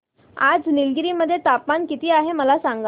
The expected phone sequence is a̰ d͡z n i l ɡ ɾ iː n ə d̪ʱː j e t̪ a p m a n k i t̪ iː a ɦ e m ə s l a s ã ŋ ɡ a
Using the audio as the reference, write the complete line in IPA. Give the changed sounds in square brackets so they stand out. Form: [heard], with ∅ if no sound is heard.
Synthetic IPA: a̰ d͡z n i l ɡ ɾ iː [m] ə d̪ʱː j e t̪ a p m a n k i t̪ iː a ɦ e m ə [∅] l a s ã ŋ ɡ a